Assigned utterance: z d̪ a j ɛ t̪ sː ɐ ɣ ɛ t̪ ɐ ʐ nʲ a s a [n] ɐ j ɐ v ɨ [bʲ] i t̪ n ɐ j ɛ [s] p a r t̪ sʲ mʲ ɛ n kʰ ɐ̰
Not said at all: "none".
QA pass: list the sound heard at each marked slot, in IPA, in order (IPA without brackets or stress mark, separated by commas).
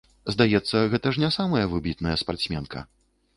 m, bʲ, s